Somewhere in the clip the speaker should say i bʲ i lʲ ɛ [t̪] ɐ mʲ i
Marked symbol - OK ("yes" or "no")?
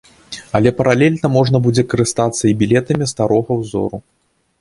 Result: yes